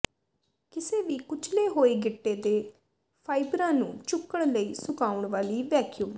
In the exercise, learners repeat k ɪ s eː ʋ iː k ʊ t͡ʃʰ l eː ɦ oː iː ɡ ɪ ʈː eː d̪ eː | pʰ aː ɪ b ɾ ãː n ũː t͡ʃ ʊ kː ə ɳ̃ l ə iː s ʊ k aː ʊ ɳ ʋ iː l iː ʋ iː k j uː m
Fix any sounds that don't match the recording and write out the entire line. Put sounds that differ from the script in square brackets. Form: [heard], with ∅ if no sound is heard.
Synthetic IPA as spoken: k ɪ s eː ʋ iː k ʊ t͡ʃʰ l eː ɦ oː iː ɡ ɪ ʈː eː d̪ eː | pʰ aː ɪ b ɾ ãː n ũː t͡ʃ ʊ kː ə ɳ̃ l ə iː s ʊ k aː ʊ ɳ ʋ [aː] l iː ʋ [ɛː] k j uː m